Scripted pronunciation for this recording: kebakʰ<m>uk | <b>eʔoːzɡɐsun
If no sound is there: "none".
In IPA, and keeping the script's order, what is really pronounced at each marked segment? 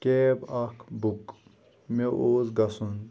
b, m

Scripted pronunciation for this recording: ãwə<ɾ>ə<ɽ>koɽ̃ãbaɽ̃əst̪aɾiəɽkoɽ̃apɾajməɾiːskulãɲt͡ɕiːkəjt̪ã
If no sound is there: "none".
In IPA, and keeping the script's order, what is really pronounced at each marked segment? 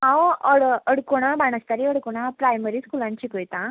ɽ, ɽ

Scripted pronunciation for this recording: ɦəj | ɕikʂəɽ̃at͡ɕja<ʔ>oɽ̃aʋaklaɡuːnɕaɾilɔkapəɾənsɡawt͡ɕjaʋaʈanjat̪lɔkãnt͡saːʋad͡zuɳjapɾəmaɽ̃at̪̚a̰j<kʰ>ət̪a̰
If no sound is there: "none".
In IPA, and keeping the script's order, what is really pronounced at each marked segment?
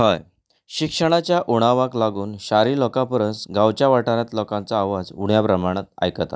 ʔ, k

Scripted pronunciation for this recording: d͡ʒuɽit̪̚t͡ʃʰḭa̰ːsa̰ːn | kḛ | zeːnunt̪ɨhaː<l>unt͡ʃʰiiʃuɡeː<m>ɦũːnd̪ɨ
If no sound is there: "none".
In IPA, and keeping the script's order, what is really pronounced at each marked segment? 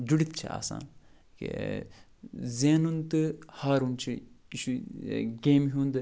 ɾ, m

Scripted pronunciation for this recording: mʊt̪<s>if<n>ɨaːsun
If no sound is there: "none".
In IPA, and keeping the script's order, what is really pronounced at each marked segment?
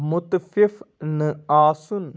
f, n

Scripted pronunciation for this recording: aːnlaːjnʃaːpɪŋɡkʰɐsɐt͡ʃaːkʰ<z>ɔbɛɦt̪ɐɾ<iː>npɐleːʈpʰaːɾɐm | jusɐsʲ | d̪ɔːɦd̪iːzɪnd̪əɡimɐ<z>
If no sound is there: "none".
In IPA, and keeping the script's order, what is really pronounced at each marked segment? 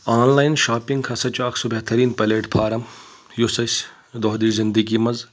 s, iː, z

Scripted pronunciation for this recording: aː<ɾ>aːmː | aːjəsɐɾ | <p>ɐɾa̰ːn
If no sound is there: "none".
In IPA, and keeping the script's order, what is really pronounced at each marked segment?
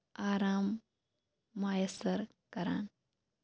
ɾ, k

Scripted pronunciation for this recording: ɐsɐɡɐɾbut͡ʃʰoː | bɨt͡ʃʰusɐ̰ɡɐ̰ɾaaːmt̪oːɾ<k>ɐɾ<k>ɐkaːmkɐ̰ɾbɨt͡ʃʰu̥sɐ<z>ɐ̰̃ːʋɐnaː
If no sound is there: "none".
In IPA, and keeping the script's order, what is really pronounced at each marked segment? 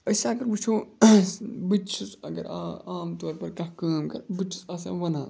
p, k, s

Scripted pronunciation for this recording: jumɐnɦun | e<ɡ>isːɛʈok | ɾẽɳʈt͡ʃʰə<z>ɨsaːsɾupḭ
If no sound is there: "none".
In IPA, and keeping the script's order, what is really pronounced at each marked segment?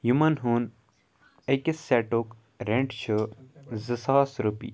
k, z

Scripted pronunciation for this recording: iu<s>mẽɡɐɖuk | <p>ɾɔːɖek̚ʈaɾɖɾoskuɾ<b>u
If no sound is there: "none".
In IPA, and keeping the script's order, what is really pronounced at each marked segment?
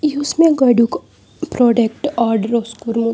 s, p, m

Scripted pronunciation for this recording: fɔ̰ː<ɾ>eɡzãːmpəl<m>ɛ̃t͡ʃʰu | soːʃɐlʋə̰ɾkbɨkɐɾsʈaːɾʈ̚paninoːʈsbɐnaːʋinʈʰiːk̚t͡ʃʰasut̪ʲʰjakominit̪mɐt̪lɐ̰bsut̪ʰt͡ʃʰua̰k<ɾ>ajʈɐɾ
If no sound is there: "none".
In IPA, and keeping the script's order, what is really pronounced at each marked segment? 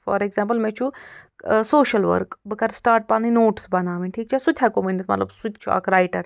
ɾ, m, ɾ

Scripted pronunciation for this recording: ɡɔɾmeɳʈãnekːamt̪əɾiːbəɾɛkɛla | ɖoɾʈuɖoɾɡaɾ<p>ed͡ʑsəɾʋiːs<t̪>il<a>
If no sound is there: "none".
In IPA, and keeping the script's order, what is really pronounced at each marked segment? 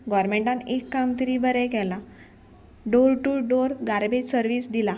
b, d̪, a

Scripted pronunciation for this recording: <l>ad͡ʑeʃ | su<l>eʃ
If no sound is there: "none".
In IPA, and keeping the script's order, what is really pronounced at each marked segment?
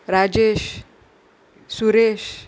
ɾ, ɾ

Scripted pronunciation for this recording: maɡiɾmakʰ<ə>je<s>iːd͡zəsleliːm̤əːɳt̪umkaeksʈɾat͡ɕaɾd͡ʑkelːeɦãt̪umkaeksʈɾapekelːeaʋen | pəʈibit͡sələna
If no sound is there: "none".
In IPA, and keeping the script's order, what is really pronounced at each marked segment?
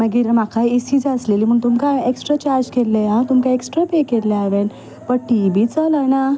a, s

